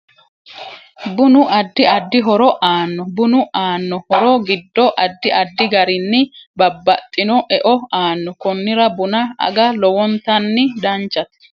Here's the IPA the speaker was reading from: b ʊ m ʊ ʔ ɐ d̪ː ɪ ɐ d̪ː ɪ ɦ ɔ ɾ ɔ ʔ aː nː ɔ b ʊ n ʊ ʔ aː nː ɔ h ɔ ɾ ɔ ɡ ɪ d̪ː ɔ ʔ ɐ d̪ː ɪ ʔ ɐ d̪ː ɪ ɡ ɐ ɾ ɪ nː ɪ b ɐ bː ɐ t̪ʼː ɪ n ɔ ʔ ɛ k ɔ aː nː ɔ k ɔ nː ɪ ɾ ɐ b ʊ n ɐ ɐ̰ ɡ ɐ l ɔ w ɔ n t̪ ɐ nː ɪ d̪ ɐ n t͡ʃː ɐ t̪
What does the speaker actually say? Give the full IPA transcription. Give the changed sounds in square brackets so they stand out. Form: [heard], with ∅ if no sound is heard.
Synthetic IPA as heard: b ʊ [n] ʊ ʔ ɐ d̪ː ɪ ɐ d̪ː ɪ ɦ ɔ ɾ ɔ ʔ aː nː ɔ b ʊ n ʊ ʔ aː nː ɔ h ɔ ɾ ɔ ɡ ɪ d̪ː ɔ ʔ ɐ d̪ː ɪ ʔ ɐ d̪ː ɪ ɡ ɐ ɾ ɪ nː ɪ b ɐ bː ɐ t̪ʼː ɪ n ɔ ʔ ɛ [ʔ] ɔ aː nː ɔ k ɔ nː ɪ ɾ ɐ b ʊ n ɐ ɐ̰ ɡ ɐ l ɔ w ɔ n t̪ ɐ nː ɪ d̪ ɐ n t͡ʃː ɐ t̪

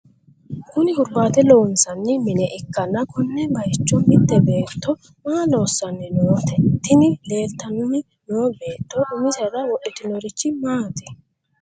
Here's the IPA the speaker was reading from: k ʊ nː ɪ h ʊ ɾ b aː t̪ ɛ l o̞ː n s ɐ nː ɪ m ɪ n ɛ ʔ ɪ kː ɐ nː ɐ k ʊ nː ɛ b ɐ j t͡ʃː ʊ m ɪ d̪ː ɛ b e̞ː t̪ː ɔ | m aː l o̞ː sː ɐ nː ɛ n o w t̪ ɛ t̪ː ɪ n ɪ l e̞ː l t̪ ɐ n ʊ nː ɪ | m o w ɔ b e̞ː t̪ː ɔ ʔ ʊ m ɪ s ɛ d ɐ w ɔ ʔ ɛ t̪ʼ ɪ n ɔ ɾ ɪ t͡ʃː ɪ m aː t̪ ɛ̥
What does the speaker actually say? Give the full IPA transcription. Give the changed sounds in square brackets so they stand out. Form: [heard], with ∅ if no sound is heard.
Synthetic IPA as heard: k ʊ [n] ɪ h ʊ ɾ b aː t̪ ɛ l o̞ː n s ɐ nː ɪ m ɪ n ɛ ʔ ɪ kː ɐ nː ɐ k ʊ nː ɛ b ɐ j t͡ʃː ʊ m ɪ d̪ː ɛ b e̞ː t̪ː ɔ | m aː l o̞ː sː ɐ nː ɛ n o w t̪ ɛ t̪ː ɪ n ɪ l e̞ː l t̪ ɐ n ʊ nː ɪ | [n] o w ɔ b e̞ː t̪ː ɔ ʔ ʊ m ɪ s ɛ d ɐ w ɔ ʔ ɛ [t̪] ɪ n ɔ ɾ ɪ t͡ʃː ɪ m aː t̪ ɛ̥

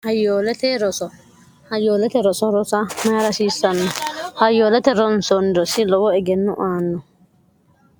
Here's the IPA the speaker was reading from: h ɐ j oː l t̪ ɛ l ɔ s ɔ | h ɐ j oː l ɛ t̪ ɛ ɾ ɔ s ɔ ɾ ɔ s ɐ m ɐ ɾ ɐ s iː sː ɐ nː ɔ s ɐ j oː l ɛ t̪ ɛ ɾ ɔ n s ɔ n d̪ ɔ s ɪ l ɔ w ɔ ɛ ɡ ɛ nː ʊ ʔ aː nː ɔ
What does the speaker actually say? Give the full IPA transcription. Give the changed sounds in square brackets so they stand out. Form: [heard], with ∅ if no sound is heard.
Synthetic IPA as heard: h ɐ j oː l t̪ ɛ [ɾ] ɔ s ɔ | h ɐ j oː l ɛ t̪ ɛ ɾ ɔ s ɔ ɾ ɔ s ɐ m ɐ ɾ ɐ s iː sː ɐ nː ɔ [h] ɐ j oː l ɛ t̪ ɛ ɾ ɔ n s ɔ n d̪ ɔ s ɪ l ɔ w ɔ ɛ ɡ ɛ nː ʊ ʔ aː nː ɔ

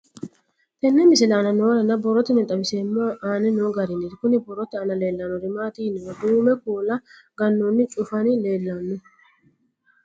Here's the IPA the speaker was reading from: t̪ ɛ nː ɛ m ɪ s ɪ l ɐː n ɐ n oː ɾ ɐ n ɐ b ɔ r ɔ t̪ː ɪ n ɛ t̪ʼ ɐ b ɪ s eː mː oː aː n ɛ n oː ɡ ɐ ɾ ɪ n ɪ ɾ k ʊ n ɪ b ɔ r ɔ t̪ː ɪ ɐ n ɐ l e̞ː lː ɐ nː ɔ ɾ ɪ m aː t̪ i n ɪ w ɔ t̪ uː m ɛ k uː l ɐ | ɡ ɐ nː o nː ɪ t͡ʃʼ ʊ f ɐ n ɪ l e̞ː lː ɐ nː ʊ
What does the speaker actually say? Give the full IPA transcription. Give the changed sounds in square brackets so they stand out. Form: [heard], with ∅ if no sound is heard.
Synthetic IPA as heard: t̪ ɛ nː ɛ m ɪ s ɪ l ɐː n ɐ n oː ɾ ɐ n ɐ b ɔ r ɔ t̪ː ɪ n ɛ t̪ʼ ɐ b ɪ s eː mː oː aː n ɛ n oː ɡ ɐ ɾ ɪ n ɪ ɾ k ʊ n ɪ b ɔ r ɔ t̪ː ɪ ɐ n ɐ l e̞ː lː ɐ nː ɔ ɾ ɪ m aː t̪ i n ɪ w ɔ [d̪] uː m ɛ k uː l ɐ | ɡ ɐ nː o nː ɪ t͡ʃʼ ʊ f ɐ n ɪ l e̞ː lː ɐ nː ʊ

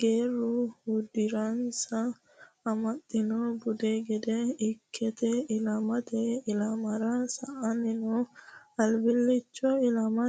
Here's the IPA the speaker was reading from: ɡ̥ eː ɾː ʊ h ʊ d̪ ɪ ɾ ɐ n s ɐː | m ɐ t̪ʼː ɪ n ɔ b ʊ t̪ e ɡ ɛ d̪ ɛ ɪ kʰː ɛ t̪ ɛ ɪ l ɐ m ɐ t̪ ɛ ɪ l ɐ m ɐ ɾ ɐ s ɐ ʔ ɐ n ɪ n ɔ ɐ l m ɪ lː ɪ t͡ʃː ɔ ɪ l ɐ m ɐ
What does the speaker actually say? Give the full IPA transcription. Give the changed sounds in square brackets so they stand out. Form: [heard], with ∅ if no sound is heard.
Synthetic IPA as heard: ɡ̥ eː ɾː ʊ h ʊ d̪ ɪ ɾ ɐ n s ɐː | m ɐ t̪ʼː ɪ n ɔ b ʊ [d̪] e ɡ ɛ d̪ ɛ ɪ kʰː ɛ t̪ ɛ ɪ l ɐ m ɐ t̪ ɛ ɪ l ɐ m ɐ ɾ ɐ s ɐ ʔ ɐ n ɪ n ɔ ɐ l [b] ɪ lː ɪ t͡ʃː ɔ ɪ l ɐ m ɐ

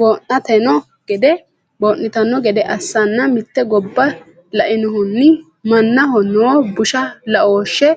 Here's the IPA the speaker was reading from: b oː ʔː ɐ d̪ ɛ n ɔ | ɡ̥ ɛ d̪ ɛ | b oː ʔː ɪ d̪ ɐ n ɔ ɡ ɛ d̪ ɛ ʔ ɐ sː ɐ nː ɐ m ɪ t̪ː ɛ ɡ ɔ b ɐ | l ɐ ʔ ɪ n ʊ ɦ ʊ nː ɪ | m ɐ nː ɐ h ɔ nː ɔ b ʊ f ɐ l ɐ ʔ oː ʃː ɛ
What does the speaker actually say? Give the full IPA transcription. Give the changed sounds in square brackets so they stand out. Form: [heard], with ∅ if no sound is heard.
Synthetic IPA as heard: b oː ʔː ɐ [t̪] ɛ n ɔ | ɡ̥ ɛ d̪ ɛ | b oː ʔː ɪ [t̪] ɐ n ɔ ɡ ɛ d̪ ɛ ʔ ɐ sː ɐ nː ɐ m ɪ t̪ː ɛ ɡ ɔ [bː] ɐ | l ɐ ʔ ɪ n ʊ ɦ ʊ nː ɪ | m ɐ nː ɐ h ɔ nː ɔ b ʊ [ʃ] ɐ l ɐ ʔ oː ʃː ɛ

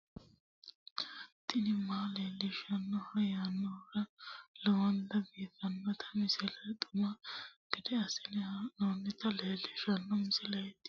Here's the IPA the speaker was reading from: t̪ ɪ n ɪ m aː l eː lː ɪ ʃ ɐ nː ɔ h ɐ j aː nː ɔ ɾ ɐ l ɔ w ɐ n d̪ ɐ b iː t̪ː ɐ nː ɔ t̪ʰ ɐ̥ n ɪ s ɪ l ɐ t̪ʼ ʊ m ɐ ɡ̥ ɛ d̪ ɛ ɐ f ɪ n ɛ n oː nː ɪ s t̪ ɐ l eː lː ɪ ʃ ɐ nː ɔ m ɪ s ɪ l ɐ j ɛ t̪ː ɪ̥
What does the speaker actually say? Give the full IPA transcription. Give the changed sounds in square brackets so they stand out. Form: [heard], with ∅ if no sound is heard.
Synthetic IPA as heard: t̪ ɪ n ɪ m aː l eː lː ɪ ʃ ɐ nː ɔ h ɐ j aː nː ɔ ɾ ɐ l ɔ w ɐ n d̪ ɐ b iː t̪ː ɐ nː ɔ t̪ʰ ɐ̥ [m] ɪ s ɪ l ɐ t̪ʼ ʊ m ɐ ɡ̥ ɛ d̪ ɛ ɐ [s] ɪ n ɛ n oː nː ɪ [∅] t̪ ɐ l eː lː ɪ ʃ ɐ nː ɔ m ɪ s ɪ l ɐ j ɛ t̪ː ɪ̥

